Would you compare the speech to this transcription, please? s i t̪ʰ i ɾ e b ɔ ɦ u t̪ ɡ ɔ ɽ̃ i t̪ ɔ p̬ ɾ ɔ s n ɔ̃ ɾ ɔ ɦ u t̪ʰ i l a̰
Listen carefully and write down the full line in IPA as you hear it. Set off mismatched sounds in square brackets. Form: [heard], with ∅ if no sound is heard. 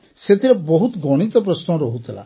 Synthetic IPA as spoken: s [e] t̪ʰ i ɾ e b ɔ ɦ u t̪ ɡ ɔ ɽ̃ i t̪ ɔ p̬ ɾ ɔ s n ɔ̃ ɾ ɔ ɦ u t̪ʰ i l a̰